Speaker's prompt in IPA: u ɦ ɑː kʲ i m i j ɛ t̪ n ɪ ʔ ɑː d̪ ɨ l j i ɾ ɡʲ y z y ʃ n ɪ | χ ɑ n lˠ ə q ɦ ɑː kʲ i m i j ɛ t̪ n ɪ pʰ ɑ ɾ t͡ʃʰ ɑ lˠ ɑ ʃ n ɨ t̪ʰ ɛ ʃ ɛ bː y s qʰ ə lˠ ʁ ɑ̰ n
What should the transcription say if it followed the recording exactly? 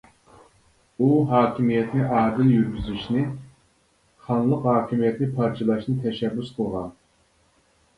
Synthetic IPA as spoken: u ɦ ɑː kʲ i m i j ɛ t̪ n ɪ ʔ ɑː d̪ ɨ l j y ɾ ɡʲ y z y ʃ n ɪ | χ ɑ n lˠ ə q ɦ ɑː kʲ i m i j ɛ t̪ n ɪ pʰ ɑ ɾ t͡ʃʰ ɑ lˠ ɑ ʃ n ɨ t̪ʰ ɛ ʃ ɛ bː y s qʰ ə lˠ ʁ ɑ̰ n